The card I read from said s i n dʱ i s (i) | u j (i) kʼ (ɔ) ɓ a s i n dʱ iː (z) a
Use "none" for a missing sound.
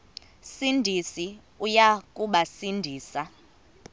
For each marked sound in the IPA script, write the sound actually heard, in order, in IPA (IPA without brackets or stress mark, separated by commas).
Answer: i, a, u, s